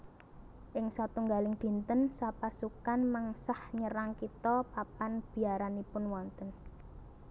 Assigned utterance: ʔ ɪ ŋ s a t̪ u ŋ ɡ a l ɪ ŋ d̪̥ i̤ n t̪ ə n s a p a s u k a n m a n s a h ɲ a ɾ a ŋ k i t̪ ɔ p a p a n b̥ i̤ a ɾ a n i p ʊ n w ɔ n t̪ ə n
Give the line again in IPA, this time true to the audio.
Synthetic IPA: ʔ ɪ ŋ s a t̪ u ŋ ɡ a l ɪ ŋ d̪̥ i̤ n t̪ ə n s a p a s u k a n m a ŋ s a h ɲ ə ɾ a ŋ k i t̪ ɔ p a p a n b̥ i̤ a ɾ a n i p ʊ n w ɔ n t̪ ə n